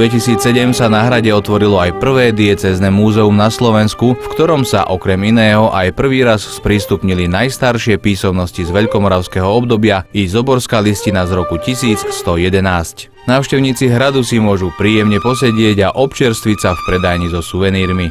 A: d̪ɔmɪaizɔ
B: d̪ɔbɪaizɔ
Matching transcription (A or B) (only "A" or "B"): B